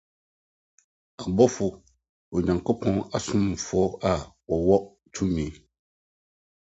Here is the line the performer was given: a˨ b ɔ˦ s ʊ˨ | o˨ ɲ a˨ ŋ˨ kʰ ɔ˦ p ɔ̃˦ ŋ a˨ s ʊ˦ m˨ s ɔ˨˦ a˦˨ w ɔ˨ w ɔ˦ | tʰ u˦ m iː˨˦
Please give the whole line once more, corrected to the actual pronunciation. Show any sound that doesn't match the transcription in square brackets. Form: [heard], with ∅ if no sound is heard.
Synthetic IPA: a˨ b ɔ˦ [f] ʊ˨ | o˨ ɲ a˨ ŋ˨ [k] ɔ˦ p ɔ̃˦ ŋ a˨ s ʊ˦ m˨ [f] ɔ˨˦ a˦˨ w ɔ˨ w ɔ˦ | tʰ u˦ m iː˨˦